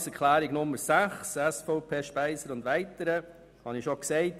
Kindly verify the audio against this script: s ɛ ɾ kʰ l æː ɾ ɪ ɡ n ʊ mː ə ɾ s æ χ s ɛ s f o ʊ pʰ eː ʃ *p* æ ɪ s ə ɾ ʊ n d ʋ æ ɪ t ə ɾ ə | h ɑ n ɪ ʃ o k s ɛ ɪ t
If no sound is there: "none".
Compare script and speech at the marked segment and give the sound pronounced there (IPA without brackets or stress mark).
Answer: p